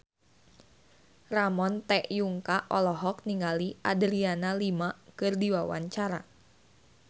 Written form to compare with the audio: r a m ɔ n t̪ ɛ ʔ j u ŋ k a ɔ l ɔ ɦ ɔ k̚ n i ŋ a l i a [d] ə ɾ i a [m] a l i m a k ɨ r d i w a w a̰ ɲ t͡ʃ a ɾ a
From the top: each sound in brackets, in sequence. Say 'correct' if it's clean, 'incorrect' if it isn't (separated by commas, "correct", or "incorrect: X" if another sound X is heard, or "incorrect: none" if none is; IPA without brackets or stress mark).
correct, incorrect: n